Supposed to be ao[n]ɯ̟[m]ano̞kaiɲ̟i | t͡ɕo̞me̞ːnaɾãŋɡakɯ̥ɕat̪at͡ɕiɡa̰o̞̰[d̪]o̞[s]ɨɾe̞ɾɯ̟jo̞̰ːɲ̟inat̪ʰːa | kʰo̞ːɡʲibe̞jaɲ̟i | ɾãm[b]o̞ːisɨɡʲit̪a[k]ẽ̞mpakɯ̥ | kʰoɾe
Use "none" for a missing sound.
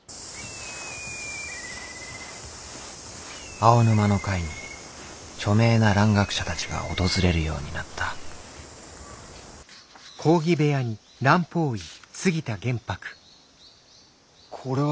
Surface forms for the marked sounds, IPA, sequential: n, m, t̪, z, p, ɡ

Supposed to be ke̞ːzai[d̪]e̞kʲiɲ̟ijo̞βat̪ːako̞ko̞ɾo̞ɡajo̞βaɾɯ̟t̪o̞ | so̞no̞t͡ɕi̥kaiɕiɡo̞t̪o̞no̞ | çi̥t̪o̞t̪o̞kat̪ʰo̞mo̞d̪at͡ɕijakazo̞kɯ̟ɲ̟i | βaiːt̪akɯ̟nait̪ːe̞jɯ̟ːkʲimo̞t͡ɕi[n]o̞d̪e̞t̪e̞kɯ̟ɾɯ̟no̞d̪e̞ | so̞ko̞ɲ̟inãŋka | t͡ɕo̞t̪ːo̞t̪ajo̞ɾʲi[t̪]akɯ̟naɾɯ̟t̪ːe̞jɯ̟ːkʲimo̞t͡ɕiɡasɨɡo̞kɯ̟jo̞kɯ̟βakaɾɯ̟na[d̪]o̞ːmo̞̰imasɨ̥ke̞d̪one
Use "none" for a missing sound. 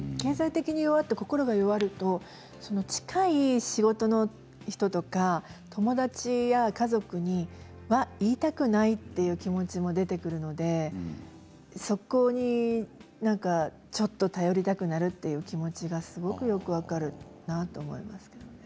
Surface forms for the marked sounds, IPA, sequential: t̪, m, t̪, t̪

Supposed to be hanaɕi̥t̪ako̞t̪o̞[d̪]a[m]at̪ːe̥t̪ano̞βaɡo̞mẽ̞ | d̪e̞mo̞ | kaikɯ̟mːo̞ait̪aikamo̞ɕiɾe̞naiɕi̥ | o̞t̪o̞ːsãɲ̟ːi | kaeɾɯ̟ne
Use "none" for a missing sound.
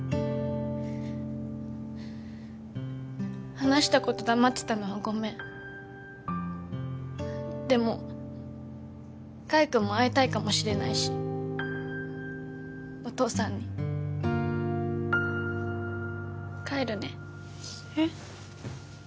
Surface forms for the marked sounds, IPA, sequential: d̪, m

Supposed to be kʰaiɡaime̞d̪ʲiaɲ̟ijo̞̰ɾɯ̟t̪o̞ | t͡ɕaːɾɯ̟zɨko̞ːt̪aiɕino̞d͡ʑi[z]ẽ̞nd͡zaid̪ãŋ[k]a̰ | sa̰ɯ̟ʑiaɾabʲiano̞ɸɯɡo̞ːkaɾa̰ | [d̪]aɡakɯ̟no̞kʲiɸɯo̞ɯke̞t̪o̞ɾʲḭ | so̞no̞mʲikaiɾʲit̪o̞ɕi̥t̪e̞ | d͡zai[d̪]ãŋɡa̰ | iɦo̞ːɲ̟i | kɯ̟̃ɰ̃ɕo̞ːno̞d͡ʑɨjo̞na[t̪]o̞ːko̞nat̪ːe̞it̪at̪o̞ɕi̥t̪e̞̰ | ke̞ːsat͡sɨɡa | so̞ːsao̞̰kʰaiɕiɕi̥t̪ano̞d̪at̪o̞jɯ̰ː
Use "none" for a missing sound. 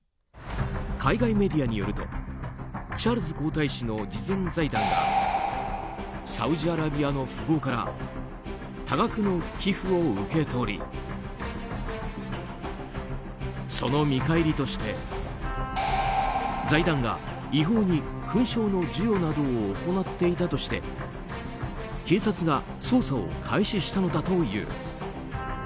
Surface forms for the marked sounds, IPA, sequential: z, ɡ, t̪, d̪, d̪

